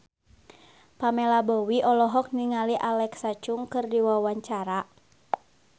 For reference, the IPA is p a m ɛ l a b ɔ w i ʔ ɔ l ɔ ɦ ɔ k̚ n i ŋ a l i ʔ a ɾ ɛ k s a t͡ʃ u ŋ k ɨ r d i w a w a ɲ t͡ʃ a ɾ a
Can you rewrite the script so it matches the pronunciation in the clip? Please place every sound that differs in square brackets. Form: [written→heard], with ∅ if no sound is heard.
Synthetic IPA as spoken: p a m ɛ l a b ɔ w i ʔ ɔ l ɔ ɦ ɔ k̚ n i ŋ a l i ʔ a [ɾ→l] ɛ k s a t͡ʃ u ŋ k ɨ r d i w a w a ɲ t͡ʃ a ɾ a

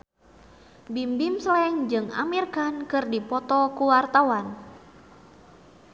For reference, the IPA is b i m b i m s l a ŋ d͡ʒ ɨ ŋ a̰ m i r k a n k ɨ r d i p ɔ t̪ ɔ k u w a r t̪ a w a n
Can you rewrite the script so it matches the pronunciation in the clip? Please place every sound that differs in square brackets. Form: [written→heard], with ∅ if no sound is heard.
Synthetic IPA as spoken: b i m b i m s l [a→ɛ] ŋ d͡ʒ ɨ ŋ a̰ m i r k a n k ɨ r d i p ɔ t̪ ɔ k u w a r t̪ a w a n

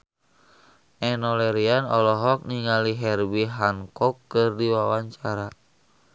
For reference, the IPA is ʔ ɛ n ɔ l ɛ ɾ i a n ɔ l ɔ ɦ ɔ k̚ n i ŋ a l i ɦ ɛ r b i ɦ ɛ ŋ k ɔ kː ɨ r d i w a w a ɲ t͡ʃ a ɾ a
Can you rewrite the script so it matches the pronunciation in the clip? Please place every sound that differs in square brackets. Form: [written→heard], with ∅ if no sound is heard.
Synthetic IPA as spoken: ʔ ɛ n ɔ l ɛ ɾ i a n ɔ l ɔ ɦ ɔ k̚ n i ŋ a l i ɦ ɛ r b i ɦ [ɛ→a] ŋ k ɔ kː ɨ r d i w a w a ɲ t͡ʃ a ɾ a

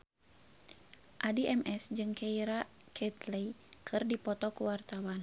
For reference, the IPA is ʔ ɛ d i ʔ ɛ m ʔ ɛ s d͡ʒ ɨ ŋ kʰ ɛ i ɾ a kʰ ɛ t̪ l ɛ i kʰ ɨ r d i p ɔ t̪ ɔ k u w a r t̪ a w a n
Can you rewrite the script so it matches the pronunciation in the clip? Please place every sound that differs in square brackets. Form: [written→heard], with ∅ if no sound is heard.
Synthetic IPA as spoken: ʔ [ɛ→a] d i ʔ ɛ m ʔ ɛ s d͡ʒ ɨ ŋ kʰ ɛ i ɾ a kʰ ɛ t̪ l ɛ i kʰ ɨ r d i p ɔ t̪ ɔ k u w a r t̪ a w a n

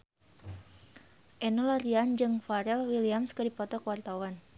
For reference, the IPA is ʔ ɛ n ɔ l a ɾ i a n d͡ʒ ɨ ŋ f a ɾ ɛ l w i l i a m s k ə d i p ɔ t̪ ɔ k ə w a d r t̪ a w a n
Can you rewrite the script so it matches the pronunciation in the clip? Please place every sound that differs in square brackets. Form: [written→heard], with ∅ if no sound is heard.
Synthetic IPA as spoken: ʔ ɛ n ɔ l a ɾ i a n d͡ʒ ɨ ŋ f a ɾ ɛ l w i l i a m s k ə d i p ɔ t̪ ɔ k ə w a [d→∅] r t̪ a w a n

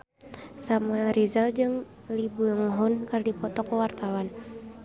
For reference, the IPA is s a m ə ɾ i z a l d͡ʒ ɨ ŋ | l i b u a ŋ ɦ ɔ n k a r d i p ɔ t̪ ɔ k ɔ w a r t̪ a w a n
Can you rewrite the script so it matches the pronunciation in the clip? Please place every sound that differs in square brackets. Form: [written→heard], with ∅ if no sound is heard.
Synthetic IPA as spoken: s a m [ə→a] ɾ i z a l d͡ʒ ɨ ŋ | l i b u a ŋ ɦ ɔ n k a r d i p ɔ t̪ ɔ k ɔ w a r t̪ a w a n

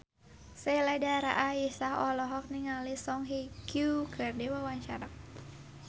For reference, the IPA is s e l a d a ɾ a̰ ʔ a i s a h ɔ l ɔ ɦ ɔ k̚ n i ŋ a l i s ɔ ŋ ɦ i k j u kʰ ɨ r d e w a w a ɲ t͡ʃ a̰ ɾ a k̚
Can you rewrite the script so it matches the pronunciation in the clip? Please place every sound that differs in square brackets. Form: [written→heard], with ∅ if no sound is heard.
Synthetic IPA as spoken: s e l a d a ɾ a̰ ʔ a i s a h ɔ l ɔ ɦ ɔ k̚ n i ŋ a l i s ɔ ŋ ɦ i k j u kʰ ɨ r d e w a w a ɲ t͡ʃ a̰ ɾ a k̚

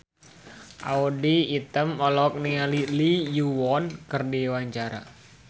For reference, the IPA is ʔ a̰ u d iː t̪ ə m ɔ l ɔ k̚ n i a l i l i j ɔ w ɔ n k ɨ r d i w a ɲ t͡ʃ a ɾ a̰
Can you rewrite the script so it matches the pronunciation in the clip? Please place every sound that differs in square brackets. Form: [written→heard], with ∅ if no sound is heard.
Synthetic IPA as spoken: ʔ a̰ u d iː t̪ ə m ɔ l ɔ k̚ n i a l i l i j [ɔ→u] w ɔ n k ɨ r d i w a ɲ t͡ʃ a ɾ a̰

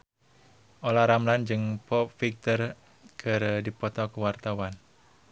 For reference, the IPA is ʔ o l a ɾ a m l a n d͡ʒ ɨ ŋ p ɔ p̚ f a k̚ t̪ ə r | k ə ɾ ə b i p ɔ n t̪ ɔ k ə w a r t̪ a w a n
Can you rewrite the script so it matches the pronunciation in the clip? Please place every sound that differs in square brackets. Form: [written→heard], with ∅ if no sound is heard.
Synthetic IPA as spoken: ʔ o l a ɾ a m l a n d͡ʒ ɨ ŋ p ɔ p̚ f [a→i] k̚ t̪ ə r | k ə ɾ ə [b→d] i p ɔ [n→∅] t̪ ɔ k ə w a r t̪ a w a n

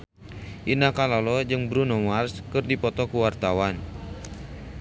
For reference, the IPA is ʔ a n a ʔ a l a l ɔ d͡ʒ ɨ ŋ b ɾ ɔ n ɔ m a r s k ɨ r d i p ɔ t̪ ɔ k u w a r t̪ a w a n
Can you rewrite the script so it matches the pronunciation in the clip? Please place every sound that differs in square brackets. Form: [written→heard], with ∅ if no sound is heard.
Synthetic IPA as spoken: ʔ [a→i] n a [ʔ→k] a l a l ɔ d͡ʒ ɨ ŋ b ɾ [ɔ→u] n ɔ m a r s k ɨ r d i p ɔ t̪ ɔ k u w a r t̪ a w a n

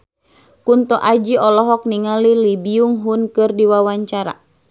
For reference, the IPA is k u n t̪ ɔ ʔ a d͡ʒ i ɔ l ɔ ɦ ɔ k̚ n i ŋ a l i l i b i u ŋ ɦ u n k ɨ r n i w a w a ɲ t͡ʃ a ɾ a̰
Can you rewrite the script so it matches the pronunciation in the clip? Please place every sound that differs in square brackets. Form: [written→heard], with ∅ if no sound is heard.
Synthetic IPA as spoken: k u n t̪ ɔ ʔ a d͡ʒ i ɔ l ɔ ɦ ɔ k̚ n i ŋ a l i l i b i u ŋ ɦ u n k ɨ r [n→d] i w a w a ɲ t͡ʃ a ɾ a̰

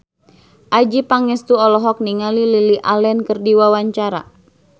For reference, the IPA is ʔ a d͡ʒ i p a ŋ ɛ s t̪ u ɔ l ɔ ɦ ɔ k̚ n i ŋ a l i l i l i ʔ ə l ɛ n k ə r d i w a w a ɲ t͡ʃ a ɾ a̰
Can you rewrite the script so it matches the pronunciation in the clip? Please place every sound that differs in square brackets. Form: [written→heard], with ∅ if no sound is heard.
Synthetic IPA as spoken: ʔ a d͡ʒ i p a ŋ ɛ s t̪ u ɔ l ɔ ɦ ɔ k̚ n i ŋ a l i l i l i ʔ [ə→a] l ɛ n k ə r d i w a w a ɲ t͡ʃ a ɾ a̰

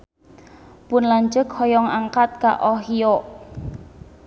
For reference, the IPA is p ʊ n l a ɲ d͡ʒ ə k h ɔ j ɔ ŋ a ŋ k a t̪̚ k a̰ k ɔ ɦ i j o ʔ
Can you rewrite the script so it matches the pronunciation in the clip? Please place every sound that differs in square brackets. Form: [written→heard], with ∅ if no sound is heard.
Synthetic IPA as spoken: p ʊ n l a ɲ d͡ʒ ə k h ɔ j ɔ ŋ a ŋ k a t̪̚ k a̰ [k→ʔ] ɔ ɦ i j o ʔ

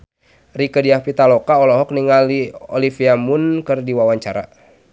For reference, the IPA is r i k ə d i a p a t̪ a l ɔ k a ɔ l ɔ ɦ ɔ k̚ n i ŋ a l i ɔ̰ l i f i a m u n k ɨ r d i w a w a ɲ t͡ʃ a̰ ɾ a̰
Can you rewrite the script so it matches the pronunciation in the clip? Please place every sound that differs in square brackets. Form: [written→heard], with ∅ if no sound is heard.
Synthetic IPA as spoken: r i k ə d i a p [a→i] t̪ a l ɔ k a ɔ l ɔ ɦ ɔ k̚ n i ŋ a l i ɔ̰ l i f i a m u n k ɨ r d i w a w a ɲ t͡ʃ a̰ ɾ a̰

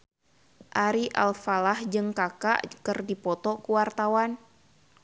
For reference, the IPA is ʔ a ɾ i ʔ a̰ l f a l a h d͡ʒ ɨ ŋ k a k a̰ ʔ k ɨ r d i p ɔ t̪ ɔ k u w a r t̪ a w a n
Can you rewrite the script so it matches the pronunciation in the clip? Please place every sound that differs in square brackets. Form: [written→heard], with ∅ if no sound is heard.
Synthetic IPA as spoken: ʔ a ɾ i ʔ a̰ l f a l a h d͡ʒ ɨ ŋ k a k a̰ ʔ k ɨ r d i p ɔ t̪ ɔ k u w a r t̪ a w a n

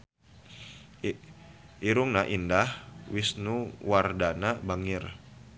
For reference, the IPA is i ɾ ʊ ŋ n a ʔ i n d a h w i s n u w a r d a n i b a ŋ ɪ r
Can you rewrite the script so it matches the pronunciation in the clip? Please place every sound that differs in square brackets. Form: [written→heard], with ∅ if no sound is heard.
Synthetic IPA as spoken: i ɾ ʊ ŋ n a ʔ i n d a h w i s n u w a r d a n [i→a] b a ŋ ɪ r

